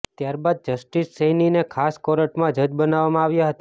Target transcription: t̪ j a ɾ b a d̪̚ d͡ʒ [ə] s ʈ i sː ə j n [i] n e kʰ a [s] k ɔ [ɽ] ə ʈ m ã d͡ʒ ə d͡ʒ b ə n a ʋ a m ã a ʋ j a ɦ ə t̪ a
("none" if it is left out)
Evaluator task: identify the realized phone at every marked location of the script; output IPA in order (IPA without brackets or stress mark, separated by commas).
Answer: ə, i, s, ɾ